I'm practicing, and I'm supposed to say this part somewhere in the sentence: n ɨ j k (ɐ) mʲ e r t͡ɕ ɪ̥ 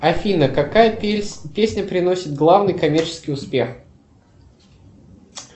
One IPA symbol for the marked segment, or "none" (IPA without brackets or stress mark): ɐ